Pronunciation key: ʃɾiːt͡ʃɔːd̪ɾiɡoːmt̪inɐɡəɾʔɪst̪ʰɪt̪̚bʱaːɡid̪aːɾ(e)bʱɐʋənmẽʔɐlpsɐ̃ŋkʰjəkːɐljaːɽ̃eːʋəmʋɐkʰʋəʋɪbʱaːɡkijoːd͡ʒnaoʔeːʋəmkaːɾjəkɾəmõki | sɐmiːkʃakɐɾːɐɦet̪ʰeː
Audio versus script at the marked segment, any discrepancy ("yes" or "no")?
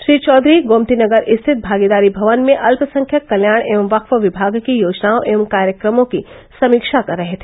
yes